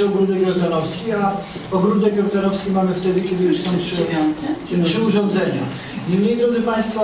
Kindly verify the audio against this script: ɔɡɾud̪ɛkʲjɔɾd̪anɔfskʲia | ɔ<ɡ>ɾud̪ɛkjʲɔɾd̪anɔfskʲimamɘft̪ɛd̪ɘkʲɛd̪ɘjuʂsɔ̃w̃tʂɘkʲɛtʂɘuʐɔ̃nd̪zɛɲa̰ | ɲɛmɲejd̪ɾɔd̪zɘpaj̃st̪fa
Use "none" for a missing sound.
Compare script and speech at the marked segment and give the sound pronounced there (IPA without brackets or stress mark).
ɡ